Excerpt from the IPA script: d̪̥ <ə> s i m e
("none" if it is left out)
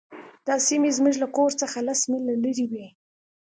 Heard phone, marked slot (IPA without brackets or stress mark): ɑ